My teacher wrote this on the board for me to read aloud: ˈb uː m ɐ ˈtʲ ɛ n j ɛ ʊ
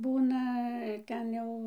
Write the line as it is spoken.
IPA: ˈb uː n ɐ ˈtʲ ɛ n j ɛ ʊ